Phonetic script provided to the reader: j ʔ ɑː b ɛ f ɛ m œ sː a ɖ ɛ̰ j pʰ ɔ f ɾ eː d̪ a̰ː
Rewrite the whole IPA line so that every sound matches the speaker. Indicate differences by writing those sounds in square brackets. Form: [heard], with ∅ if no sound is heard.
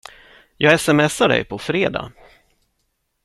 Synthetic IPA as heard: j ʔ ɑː [ɡ] ɛ [s] ɛ m [ɛ] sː a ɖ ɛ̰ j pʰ ɔ f ɾ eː d̪ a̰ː